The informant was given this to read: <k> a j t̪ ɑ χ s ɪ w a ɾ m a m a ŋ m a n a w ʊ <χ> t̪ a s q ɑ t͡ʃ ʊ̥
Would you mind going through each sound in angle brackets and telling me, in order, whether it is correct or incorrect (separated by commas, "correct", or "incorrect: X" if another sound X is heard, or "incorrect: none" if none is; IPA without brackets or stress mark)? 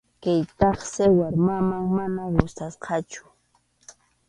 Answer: correct, incorrect: s